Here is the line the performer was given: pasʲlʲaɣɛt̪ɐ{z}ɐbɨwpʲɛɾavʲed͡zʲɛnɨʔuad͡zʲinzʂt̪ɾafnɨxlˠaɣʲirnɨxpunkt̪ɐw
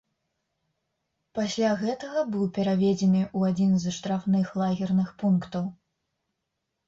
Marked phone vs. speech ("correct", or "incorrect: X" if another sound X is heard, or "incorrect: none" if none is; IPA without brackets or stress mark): incorrect: ɣ